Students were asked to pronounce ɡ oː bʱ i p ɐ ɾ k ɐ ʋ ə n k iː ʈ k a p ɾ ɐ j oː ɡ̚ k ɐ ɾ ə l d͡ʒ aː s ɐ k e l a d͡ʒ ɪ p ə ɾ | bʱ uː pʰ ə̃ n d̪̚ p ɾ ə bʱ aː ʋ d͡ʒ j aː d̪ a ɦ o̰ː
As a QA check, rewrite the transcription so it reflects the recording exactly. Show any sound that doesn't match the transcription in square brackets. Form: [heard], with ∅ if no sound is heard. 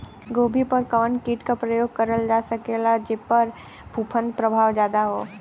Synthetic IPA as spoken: ɡ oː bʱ i p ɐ ɾ k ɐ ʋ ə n k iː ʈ k a p ɾ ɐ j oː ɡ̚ k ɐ ɾ ə l d͡ʒ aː s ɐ k e l a d͡ʒ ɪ p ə ɾ | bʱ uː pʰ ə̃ n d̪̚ p ɾ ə bʱ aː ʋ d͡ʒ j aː d̪ a ɦ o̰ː